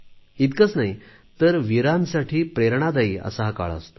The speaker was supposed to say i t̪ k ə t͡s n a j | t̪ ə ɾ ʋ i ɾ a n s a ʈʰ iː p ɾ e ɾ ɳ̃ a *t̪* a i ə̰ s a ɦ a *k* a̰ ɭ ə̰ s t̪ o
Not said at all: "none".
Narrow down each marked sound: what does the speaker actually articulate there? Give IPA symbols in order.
d̪, k

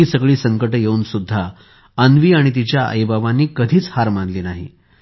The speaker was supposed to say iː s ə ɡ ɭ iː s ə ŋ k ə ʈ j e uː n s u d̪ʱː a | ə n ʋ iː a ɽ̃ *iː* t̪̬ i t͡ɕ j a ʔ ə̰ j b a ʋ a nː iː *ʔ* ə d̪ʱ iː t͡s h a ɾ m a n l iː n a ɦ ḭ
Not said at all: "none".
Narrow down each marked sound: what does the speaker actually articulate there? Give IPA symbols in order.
i, k

